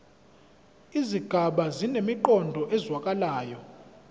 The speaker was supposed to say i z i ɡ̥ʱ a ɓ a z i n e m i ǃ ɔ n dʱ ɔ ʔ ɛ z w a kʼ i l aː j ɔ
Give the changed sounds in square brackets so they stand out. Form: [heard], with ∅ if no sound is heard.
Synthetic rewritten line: i z i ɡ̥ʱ a ɓ a z i n e m i ǃ ɔ n dʱ ɔ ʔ ɛ z w a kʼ [a] l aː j ɔ

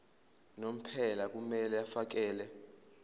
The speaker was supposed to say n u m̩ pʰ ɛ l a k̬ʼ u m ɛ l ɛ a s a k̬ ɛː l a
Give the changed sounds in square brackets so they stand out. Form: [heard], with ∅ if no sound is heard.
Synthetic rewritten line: n [o] m̩ pʰ ɛ l a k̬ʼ u m ɛ l ɛ a [f] a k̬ ɛː l [ɛ]

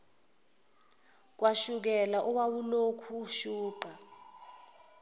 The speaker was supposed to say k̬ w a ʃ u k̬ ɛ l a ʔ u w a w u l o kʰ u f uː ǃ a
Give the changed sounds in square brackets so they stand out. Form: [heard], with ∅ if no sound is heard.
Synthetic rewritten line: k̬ w a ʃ u k̬ ɛ l a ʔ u w a w u l o kʰ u [ʃ] uː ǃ a

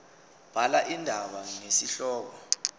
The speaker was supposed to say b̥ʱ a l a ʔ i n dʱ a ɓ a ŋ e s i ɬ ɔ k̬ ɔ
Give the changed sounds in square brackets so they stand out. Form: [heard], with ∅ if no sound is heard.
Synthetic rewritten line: b̥ʱ a l a ʔ i n dʱ a ɓ a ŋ e s i ɬ [ɔː] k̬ ɔ

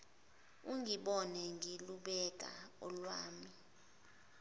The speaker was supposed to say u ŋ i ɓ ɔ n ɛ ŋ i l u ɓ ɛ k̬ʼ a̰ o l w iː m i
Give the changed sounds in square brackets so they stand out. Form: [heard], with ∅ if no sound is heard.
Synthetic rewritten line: u ŋ i ɓ ɔ n ɛ ŋ i l u ɓ ɛ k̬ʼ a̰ [ɔ] l w [aː] m i

